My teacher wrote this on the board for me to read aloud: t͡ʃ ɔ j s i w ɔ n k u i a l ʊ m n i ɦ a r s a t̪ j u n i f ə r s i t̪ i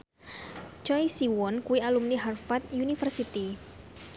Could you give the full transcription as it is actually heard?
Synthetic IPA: t͡ʃ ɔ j s i w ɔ n k u i a l u m n i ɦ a r f a t̪ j u n i f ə r s i t̪ i